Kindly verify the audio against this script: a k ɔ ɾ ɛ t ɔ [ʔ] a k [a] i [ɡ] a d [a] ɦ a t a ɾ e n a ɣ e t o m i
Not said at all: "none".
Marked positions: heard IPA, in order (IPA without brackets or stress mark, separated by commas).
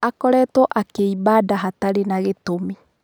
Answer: ʔ, e, b, a